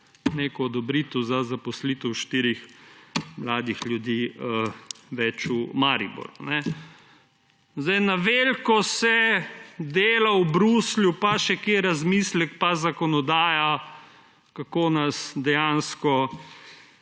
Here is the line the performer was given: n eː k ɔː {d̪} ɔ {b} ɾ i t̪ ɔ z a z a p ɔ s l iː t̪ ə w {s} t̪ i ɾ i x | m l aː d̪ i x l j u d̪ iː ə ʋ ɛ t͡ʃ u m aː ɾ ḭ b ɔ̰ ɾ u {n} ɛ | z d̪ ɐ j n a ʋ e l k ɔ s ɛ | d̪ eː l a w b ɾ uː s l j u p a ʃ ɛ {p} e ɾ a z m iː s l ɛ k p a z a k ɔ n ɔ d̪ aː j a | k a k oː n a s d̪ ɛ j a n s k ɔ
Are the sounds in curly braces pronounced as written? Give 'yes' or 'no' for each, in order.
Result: yes, yes, no, yes, no

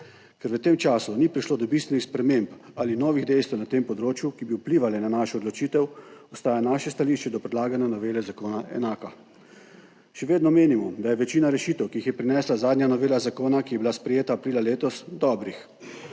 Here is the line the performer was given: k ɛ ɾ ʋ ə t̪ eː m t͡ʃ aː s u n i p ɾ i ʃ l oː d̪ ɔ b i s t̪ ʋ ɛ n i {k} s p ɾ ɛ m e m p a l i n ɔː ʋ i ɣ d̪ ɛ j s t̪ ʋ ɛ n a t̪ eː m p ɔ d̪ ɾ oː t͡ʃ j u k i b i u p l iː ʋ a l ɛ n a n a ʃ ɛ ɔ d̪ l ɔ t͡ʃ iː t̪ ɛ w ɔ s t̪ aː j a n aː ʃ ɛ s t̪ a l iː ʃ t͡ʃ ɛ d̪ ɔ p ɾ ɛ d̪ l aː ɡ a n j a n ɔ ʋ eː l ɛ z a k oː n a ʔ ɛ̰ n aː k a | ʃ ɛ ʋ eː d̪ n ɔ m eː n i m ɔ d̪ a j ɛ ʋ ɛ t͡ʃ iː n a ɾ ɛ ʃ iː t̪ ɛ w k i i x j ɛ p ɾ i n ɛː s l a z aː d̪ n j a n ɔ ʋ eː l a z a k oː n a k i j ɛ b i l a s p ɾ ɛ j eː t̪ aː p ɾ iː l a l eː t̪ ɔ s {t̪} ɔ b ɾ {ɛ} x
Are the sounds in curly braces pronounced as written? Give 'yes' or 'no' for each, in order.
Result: no, no, no

